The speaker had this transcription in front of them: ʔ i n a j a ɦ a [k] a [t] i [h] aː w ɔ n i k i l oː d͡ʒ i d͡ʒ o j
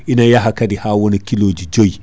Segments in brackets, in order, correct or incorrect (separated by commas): correct, incorrect, correct